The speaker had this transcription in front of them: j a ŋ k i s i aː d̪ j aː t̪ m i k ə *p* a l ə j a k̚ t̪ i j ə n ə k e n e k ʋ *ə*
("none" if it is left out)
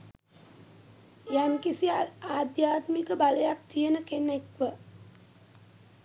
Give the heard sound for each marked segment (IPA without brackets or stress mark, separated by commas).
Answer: b, ə